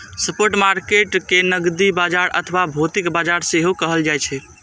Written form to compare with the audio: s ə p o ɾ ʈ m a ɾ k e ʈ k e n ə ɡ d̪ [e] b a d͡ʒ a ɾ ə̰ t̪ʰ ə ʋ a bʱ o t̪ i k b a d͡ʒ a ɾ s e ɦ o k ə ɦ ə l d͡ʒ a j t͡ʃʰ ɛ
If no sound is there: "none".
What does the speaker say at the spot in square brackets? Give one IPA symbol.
i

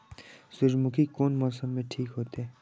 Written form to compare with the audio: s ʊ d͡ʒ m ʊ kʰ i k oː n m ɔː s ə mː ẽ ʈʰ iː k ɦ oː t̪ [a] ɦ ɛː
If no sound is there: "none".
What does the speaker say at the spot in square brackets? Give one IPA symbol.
e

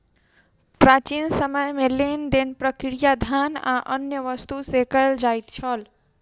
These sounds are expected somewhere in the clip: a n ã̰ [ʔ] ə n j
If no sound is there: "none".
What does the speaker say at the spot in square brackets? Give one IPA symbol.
ʔ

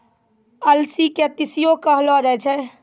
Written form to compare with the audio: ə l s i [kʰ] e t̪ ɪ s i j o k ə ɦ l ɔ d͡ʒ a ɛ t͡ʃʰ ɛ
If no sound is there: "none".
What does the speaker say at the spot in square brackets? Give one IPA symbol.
k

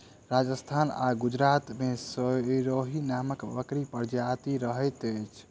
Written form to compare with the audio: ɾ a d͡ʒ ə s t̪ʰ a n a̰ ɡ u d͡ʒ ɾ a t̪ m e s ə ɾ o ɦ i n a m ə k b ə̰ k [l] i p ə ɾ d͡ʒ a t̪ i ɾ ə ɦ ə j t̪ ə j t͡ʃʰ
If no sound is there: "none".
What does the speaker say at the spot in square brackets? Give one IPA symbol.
ɾ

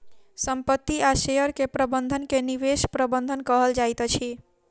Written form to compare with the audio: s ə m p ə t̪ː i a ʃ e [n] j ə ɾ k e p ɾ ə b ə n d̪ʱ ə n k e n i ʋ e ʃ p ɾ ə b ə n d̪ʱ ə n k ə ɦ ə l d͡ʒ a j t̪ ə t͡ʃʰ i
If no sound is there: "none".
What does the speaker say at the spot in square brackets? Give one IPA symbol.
none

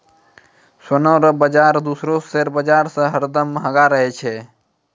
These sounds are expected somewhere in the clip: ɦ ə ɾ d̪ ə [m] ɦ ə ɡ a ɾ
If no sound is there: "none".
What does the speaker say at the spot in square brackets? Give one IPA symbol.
m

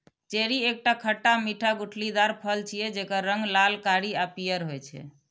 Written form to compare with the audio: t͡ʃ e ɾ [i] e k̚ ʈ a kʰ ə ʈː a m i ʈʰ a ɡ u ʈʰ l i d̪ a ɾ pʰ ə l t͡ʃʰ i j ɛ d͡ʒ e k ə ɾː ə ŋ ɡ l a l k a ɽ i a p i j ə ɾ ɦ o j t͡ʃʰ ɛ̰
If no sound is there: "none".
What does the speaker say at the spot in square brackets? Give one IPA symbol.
i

